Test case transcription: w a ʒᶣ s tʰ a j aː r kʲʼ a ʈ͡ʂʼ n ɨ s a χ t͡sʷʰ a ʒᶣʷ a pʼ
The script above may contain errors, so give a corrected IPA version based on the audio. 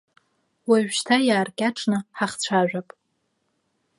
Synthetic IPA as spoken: w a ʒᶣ ʃ tʰ a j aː r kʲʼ a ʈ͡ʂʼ n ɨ ħ a χ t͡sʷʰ a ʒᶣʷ a pʼ

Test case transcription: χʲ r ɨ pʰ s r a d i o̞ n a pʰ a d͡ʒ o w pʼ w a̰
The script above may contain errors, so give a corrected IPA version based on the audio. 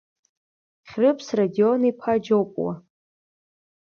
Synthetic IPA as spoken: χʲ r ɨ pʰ s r a d i o̞ n i pʰ a d͡ʒ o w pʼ w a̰

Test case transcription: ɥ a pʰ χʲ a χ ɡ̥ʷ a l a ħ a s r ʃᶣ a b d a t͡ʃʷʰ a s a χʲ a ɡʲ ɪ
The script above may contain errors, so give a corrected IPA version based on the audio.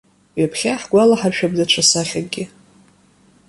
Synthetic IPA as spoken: ɥ a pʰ χʲ a ħ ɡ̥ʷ a l a ħ a r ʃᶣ a b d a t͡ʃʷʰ a s a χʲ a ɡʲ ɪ

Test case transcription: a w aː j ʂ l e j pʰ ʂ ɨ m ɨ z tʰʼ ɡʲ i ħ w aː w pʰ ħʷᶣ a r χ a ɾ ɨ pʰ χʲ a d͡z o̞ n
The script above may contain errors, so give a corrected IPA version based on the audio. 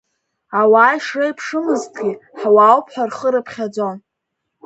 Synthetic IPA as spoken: a w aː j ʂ r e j pʰ ʂ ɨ m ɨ z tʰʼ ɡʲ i ħ w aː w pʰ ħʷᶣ a r χ ə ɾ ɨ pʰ χʲ a d͡z o̞ n

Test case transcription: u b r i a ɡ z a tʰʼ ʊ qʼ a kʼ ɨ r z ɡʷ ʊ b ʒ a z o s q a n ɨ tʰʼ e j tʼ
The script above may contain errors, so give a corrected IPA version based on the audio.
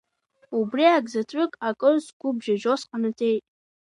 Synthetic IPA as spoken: u b r i a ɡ z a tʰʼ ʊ kʼ a kʼ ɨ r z ɡʷ ʊ b ʒ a ʒ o s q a n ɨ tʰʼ e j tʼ

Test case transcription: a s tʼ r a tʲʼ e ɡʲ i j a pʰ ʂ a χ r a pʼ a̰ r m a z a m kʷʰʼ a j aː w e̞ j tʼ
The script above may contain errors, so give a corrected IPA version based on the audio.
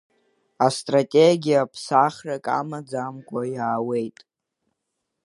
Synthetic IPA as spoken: a s tʼ r a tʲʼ e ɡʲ i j a pʰ s a χ r a kʼ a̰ m a d͡z a m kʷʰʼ a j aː w e̞ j tʼ

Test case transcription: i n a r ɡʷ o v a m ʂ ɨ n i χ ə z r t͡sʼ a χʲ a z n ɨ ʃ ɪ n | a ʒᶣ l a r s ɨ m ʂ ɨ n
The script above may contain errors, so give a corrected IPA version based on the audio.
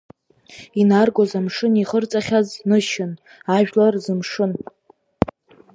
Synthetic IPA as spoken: i n a r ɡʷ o z a m ʂ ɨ n i χ ə r t͡sʼ a χʲ a z n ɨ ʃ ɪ n | a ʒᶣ l a r z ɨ m ʂ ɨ n

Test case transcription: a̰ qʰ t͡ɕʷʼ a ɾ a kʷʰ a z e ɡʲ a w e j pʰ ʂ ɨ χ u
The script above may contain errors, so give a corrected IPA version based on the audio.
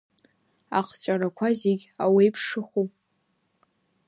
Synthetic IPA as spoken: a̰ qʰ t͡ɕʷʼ a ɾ a kʷʰ a z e ɡʲ a w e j pʰ ʂ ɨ χ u

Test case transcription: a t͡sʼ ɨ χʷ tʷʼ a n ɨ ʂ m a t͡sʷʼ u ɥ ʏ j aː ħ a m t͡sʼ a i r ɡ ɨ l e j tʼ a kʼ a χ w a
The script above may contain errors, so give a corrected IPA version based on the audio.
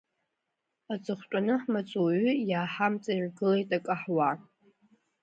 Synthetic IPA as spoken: a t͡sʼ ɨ χʷ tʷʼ a n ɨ ħ m a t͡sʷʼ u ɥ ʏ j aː ħ a m t͡sʼ a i r ɡ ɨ l e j tʼ a kʼ a ħ w a

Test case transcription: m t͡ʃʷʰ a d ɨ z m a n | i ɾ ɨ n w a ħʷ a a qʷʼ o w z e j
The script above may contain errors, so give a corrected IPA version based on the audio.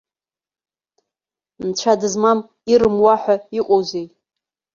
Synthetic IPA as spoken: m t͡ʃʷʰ a d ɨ z m a m | i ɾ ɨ m w a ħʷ a i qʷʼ o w z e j

